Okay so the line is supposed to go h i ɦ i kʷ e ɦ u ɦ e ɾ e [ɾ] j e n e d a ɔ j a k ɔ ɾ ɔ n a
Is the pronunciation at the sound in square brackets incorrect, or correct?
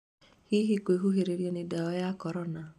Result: correct